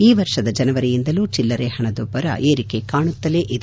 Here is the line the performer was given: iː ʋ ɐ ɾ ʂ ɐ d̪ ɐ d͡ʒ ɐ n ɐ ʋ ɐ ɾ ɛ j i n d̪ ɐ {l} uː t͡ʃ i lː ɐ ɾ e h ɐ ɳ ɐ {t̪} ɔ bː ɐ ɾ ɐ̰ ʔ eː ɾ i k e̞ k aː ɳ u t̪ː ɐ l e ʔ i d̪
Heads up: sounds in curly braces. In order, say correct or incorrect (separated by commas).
correct, incorrect